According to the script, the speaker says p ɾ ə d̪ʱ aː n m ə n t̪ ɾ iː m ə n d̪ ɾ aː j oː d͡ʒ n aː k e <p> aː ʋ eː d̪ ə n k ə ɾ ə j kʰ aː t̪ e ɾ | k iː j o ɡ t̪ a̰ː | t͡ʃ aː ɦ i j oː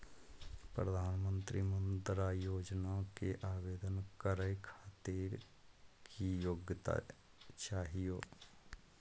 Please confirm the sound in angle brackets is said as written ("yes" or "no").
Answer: no